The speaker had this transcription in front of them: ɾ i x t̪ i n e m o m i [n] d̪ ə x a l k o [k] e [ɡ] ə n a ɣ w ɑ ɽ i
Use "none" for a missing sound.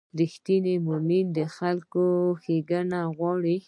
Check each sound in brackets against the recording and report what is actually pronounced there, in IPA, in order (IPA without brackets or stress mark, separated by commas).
n, x, ɡ